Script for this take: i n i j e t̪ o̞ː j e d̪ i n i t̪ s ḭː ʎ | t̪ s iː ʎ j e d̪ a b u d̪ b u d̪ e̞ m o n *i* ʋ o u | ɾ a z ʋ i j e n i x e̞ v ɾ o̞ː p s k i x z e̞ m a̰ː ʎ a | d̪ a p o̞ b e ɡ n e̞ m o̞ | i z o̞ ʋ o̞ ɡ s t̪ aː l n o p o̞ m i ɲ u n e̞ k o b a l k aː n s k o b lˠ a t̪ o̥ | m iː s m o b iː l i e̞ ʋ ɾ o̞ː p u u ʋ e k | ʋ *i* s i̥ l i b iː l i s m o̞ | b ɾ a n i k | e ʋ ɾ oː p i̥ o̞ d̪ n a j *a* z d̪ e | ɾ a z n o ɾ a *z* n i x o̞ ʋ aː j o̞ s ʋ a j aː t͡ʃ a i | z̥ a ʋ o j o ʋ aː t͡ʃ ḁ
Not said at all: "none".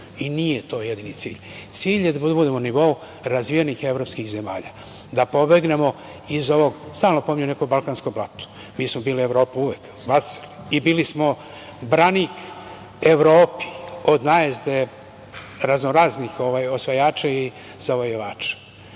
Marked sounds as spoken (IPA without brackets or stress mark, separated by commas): i, a, e, z